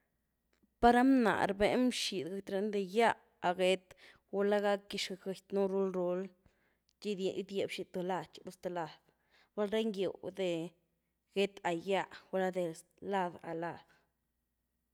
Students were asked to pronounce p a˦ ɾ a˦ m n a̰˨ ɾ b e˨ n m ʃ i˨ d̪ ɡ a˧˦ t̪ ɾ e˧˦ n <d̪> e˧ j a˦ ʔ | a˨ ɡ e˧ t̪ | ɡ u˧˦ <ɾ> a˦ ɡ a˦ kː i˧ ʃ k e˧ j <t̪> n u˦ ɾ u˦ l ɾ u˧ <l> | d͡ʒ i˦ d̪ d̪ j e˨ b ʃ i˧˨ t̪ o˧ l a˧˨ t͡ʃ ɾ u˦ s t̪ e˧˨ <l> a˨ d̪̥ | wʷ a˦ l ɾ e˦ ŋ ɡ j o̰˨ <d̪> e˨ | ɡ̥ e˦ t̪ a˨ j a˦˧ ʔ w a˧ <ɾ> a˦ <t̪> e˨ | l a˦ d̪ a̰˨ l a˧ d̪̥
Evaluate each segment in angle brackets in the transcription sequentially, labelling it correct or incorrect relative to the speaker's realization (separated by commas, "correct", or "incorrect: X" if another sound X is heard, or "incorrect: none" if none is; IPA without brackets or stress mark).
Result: correct, incorrect: l, correct, correct, correct, correct, incorrect: l, incorrect: d̪